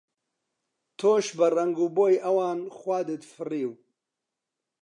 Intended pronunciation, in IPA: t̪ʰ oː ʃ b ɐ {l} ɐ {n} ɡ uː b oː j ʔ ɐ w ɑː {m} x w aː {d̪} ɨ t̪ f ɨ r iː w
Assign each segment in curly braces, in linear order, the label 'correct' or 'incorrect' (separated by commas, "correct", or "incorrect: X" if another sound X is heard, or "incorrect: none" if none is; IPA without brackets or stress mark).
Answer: incorrect: r, incorrect: ŋ, incorrect: n, correct